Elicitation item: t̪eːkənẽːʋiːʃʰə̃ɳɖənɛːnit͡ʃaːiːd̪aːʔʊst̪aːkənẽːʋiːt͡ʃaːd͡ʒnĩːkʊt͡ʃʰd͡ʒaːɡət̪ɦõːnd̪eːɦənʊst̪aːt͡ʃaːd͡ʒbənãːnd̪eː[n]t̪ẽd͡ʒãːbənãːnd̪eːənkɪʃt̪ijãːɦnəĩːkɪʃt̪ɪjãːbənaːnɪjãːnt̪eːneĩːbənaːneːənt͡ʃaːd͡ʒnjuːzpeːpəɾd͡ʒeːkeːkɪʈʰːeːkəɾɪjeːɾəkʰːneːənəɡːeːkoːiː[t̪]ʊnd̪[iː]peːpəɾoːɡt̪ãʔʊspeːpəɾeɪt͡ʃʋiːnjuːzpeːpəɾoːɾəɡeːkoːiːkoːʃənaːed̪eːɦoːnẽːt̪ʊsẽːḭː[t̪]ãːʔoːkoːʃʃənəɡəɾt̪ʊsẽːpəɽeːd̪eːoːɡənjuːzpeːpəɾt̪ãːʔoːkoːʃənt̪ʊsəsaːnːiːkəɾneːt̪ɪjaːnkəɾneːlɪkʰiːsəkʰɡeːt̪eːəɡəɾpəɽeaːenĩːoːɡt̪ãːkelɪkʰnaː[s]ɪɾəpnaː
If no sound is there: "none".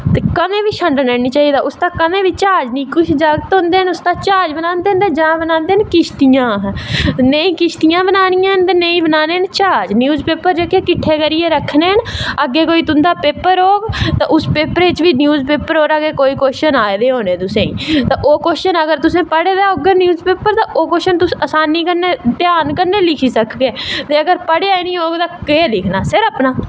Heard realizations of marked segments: n, t̪, aː, t̪, s

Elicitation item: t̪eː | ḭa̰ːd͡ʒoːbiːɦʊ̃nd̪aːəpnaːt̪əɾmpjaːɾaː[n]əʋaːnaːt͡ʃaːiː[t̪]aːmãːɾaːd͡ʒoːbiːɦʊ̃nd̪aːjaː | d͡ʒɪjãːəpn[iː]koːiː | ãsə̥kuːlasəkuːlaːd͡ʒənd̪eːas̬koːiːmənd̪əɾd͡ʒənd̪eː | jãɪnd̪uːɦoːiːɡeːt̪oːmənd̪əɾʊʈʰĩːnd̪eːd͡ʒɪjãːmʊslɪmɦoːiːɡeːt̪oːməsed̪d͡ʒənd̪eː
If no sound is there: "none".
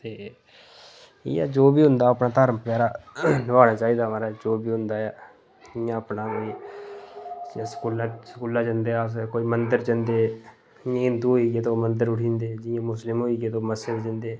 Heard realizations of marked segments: n, d̪, aː

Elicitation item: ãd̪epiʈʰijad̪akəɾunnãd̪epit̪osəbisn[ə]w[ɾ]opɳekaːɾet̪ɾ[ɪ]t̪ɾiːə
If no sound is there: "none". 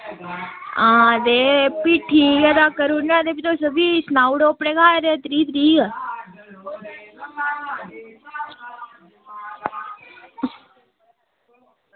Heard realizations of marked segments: a, ɽ, i

